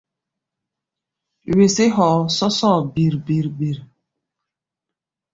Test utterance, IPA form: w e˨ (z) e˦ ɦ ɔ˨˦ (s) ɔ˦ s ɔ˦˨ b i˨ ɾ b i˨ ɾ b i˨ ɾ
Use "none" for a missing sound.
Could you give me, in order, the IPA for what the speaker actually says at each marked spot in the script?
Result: s, s

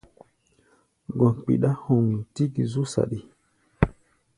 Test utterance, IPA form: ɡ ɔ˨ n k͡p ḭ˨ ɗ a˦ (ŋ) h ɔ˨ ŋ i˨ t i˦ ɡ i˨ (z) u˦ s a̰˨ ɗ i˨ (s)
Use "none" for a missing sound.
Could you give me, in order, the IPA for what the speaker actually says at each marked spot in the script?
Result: none, z, none

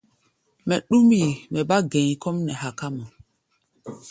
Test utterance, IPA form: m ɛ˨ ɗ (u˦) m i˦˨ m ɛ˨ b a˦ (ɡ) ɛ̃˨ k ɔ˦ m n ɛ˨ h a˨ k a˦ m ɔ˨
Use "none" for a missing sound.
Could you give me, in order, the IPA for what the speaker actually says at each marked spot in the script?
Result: u˦, ɡ

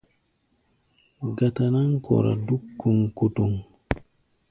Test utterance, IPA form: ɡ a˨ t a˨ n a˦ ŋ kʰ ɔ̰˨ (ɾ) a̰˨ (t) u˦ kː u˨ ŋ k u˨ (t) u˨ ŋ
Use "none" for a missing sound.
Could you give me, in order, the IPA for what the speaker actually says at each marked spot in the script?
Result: ɾ, d, t

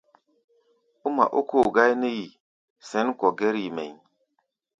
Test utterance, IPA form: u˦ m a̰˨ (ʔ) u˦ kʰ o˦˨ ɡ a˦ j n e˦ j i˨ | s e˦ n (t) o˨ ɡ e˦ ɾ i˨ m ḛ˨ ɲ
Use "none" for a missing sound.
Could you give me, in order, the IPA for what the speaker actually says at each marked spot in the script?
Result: ʔ, k

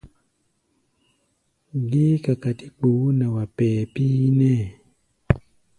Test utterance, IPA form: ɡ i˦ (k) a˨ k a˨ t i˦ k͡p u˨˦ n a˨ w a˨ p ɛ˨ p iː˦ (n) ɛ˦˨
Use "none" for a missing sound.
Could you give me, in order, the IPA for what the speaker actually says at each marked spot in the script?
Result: k, n

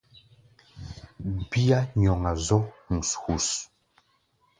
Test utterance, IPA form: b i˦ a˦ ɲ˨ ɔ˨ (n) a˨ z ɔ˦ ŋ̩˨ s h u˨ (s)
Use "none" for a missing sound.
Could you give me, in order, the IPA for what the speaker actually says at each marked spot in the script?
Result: ŋ, s

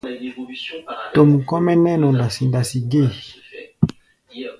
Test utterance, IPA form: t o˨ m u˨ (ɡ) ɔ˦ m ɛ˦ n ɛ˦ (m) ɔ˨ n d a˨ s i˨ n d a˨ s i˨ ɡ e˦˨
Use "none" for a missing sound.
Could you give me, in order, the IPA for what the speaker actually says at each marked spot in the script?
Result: k, n

